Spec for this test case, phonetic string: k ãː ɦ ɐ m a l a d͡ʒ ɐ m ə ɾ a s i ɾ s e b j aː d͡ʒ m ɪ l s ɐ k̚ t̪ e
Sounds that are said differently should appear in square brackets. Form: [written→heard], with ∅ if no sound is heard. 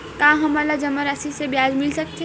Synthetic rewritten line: k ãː ɦ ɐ m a l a d͡ʒ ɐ m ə ɾ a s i [ɾ→∅] s e b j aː d͡ʒ m ɪ l s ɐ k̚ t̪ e